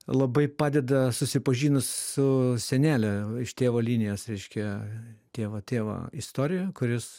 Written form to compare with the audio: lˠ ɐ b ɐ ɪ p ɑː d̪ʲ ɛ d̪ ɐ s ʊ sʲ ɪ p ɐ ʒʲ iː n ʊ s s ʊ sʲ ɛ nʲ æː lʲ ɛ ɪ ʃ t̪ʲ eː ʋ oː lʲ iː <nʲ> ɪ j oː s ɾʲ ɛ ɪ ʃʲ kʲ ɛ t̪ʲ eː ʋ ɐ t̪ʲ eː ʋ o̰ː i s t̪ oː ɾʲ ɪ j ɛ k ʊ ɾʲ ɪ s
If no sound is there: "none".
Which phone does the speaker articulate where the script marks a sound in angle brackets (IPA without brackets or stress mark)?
nʲ